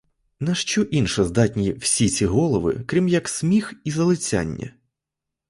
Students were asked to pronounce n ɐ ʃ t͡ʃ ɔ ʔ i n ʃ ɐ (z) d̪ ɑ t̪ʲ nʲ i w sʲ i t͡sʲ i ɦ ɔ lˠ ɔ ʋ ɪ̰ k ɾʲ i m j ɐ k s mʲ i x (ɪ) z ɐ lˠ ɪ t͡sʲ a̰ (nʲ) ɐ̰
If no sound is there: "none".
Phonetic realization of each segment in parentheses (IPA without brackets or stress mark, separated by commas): z, i, nʲː